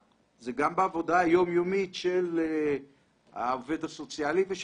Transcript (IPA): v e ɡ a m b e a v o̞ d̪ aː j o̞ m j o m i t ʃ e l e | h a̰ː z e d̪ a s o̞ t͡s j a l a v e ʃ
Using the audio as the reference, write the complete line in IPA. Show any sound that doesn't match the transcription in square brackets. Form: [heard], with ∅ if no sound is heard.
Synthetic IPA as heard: [z] e ɡ a m b e a v o̞ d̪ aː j o̞ m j o m i t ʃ e l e | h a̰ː [v] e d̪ a s o̞ t͡s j a l [i] v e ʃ